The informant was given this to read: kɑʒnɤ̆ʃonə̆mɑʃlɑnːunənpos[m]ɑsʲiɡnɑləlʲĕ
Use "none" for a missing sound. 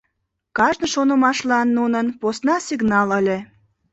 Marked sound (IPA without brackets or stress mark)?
n